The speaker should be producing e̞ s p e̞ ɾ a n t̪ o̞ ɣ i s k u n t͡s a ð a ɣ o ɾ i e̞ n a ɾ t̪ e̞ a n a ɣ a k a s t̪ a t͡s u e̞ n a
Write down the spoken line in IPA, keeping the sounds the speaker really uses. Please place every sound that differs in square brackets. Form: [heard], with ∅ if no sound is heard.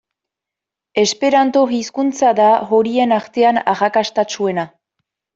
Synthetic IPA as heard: e̞ s p e̞ ɾ a n t̪ o̞ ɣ i s k u n t͡s a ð a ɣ o ɾ i e̞ n a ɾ t̪ e̞ a n a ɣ a k a s t̪ a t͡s u e̞ n a